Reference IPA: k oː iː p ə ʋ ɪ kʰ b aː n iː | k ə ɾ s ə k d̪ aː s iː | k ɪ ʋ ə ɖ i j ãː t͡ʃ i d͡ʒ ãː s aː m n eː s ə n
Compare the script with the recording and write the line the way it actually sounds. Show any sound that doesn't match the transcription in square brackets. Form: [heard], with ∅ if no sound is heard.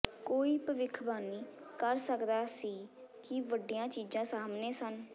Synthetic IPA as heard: k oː iː p ə ʋ ɪ kʰ b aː n iː | k ə ɾ s ə k d̪ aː s iː | k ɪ ʋ ə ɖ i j ãː t͡ʃ [iː] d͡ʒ ãː s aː m n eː s ə n